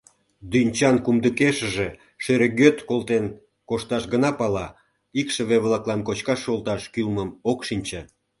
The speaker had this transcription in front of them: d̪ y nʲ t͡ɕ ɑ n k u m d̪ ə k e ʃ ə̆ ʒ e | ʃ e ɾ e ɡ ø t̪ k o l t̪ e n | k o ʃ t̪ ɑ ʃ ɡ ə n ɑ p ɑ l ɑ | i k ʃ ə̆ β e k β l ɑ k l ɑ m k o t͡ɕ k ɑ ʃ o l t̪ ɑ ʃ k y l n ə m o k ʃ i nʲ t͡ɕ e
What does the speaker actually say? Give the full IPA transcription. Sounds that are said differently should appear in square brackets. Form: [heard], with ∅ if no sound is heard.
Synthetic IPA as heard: d̪ y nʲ t͡ɕ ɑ n k u m d̪ ə k e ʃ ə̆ ʒ e | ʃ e ɾ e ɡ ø t̪ k o l t̪ e n | k o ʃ t̪ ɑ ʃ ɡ ə n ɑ p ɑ l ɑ | i k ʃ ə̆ β e [∅] β l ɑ k l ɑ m k o t͡ɕ k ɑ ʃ o l t̪ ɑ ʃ k y l [m] ə m o k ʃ i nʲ t͡ɕ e